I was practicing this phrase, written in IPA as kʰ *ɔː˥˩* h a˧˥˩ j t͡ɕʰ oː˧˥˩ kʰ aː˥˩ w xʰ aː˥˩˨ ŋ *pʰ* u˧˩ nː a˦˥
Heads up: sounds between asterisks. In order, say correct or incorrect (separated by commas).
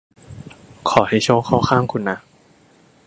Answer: incorrect, incorrect